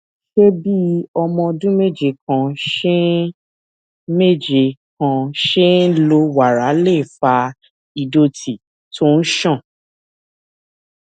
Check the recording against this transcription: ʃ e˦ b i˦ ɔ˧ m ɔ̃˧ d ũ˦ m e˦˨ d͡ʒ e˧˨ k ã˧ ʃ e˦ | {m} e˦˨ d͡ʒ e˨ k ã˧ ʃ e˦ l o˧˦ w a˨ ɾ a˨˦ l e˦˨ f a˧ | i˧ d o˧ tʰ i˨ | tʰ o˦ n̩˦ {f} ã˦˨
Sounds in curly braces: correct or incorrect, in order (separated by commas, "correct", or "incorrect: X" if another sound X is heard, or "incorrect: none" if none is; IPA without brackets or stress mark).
correct, incorrect: ʃ